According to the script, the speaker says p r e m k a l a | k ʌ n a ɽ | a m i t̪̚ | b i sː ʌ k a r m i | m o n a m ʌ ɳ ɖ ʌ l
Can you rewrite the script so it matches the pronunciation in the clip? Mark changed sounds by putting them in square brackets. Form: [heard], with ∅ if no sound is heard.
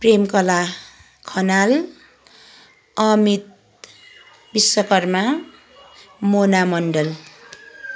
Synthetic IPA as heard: p r e m k [ʌ] l a | [kʰ] ʌ n a [l] | [ʌ] m i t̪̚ | b i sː ʌ k [ʌ] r m [a] | m o n a m ʌ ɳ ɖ ʌ l